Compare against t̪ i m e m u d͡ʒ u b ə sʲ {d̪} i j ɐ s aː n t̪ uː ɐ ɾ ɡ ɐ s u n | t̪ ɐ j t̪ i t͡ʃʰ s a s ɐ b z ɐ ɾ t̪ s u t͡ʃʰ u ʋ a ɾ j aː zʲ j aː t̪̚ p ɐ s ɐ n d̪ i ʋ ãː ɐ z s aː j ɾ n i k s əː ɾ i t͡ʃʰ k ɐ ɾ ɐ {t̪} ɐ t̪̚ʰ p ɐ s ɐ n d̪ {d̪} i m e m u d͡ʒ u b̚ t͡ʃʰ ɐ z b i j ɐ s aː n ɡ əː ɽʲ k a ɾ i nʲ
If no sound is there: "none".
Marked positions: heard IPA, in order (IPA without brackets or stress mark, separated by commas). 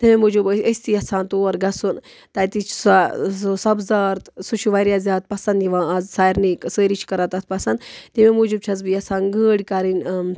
t̪, t̪, t̪